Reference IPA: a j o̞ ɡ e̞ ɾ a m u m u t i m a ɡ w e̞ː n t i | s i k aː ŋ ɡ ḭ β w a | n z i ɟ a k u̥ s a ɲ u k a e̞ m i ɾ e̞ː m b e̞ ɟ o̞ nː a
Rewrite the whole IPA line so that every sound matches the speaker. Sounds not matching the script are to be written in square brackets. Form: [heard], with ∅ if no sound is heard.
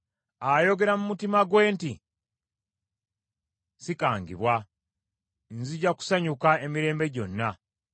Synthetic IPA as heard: a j o̞ ɡ e̞ ɾ a m u m u t i m a ɡ w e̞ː n t i | s i k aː ŋ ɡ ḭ β w a | n z i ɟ a k u̥ s a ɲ u k a e̞ m i ɾ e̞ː m b e̞ ɟ o̞ nː a

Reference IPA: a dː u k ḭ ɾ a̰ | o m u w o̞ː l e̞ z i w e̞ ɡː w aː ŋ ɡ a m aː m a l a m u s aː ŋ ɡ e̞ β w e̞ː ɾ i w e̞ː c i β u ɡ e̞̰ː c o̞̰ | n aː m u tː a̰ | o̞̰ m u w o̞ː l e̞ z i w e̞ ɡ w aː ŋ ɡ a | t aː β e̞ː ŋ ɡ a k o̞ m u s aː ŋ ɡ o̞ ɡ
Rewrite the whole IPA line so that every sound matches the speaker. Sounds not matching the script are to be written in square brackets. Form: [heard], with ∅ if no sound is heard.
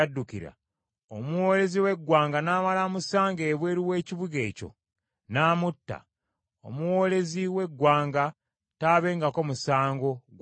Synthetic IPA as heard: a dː u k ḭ ɾ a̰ | o m u w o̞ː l e̞ z i w e̞ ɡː w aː ŋ ɡ a [n] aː m a l a m u s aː ŋ ɡ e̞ β w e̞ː ɾ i w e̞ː c i β u ɡ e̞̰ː c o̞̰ | n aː m u tː a̰ | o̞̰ m u w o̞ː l e̞ z i w e̞ ɡ w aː ŋ ɡ a | t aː β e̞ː ŋ ɡ a k o̞ m u s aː ŋ ɡ o̞ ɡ

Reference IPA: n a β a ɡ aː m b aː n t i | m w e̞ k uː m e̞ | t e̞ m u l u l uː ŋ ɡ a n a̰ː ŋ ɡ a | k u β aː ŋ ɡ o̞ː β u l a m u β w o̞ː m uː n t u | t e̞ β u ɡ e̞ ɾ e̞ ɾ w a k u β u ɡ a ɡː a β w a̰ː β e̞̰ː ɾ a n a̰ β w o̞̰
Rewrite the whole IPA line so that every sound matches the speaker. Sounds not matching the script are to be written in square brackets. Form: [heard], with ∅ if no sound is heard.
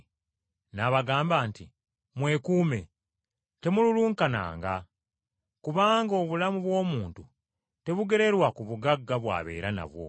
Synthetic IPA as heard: n a β a ɡ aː m b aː n t i | m w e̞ k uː m e̞ | t e̞ m u l u l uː ŋ [k] a n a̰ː ŋ ɡ a | k u β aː ŋ ɡ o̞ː β u l a m u β w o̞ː m uː n t u | t e̞ β u ɡ e̞ ɾ e̞ ɾ w a k u β u ɡ a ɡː a β w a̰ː β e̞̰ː ɾ a n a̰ β w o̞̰

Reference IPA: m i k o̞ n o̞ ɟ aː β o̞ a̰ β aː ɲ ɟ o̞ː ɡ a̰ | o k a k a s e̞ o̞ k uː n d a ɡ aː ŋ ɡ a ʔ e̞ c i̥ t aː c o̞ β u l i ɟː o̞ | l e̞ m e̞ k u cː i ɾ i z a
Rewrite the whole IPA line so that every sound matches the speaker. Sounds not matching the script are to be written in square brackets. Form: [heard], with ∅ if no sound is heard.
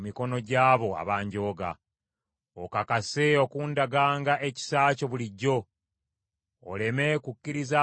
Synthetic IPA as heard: m i k o̞ n o̞ ɟ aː β o̞ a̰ β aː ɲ ɟ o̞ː ɡ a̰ | o k a k a s e̞ o̞ k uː n d a ɡ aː ŋ ɡ a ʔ e̞ c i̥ [s] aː c o̞ β u l i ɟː o̞ | l e̞ m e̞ k u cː i ɾ i z a

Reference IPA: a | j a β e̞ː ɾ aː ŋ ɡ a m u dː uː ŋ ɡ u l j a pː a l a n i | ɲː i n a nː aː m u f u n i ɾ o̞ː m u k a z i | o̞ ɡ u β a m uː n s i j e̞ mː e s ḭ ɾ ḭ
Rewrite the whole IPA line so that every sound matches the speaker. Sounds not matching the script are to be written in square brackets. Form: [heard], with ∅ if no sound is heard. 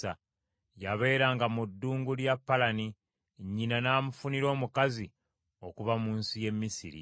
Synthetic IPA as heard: a | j a β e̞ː ɾ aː ŋ ɡ a m u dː uː ŋ ɡ u l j a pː a l a n i | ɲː i n a [n] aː m u f u n i ɾ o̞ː m u k a z i | o̞ [k] u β a m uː n s i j e̞ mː [i] s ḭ ɾ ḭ

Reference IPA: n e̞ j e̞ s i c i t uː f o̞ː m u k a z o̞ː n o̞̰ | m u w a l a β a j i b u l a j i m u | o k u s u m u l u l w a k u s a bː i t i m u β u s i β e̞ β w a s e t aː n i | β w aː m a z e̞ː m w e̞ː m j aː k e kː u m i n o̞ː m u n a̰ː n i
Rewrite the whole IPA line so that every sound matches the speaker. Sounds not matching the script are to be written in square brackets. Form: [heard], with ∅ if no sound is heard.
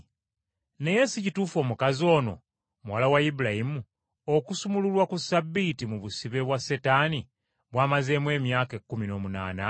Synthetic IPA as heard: n e̞ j e̞ s i c i t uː f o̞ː m u k a z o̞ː n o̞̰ | m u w a l a [w] a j i b u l a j i m u | o k u s u m u l u l w a k u s a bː i t i m u β u s i β e̞ β w a s e t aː n i | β w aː m a z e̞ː m w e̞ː m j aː k e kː u m i n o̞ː m u n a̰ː n [a]

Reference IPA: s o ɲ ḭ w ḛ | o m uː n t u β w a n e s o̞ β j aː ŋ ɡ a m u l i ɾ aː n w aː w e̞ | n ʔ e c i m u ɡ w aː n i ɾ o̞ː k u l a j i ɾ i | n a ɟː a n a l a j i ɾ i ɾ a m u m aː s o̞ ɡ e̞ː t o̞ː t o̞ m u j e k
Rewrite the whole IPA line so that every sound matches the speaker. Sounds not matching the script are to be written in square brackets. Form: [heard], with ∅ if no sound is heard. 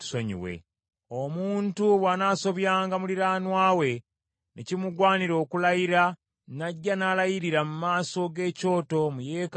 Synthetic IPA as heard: s o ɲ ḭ w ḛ | o m uː n t u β w a n [a] s o̞ β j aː ŋ ɡ a m u l i ɾ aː n w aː w e̞ | n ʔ e c i m u ɡ w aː n i ɾ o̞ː k u l a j i ɾ [a] | n a ɟː a n a l a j i ɾ i ɾ a m u m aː s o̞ ɡ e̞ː [c] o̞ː t o̞ m u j e k

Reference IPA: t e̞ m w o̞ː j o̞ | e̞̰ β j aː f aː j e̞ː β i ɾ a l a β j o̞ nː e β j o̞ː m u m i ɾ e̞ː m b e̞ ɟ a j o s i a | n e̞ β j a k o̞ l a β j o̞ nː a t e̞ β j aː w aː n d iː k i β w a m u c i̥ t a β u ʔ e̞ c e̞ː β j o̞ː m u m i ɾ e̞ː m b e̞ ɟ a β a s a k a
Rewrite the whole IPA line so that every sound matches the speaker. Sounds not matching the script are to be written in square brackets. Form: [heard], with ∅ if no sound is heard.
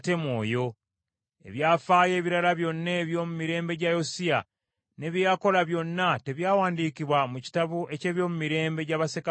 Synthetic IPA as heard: t e̞ m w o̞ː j o̞ | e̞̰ β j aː f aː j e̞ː β i ɾ a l a β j o̞ nː e β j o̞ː m u m i ɾ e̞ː m b e̞ ɟ a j o s i a | n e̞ β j a k o̞ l a β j o̞ nː a t e̞ β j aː w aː n d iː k i β w a m u c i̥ t a β u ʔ e̞ c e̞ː β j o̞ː m u m i ɾ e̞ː m b e̞ ɟ a β a s [e] k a

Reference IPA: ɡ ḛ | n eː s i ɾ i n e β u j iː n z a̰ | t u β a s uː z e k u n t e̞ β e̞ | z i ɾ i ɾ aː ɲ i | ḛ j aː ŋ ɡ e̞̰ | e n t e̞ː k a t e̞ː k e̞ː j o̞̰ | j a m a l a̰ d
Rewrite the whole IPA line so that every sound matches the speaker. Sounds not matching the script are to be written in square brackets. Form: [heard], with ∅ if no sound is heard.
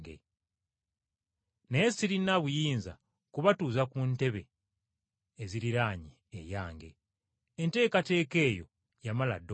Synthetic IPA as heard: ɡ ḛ | n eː s i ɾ i n [a] β u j iː n z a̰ | [k] u β a [t] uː z [a] k u n t e̞ β e̞ | z i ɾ i ɾ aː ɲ i | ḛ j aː ŋ ɡ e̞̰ | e n t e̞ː k a t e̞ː k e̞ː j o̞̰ | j a m a l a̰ d

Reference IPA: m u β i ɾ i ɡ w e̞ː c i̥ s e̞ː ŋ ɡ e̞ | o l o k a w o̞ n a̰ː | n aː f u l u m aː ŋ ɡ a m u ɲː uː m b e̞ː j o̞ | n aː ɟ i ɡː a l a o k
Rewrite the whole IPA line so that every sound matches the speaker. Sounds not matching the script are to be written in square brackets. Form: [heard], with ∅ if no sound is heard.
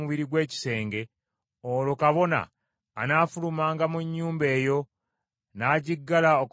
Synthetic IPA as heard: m u β i ɾ i ɡ w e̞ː c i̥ s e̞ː ŋ ɡ e̞ | o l o k a [β] o̞ n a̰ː | n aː f u l u m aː ŋ ɡ a m u ɲː uː m b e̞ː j o̞ | n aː ɟ i ɡː a l a o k

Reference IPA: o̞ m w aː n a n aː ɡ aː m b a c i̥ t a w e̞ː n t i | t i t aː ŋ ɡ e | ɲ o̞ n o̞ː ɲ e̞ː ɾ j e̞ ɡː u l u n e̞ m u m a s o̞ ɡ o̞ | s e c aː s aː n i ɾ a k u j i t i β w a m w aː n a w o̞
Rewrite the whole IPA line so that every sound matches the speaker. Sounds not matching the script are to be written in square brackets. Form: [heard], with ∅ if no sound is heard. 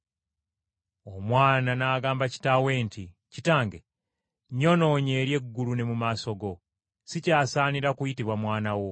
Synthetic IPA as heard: o̞ m w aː n a n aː ɡ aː m b a c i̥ t a w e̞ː n t i | [c] i t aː ŋ ɡ e | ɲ o̞ n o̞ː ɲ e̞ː ɾ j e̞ ɡː u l u n e̞ m u m a s o̞ ɡ o̞ | s [i] c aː s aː n i ɾ a k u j i t i β w a m w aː n a w o̞

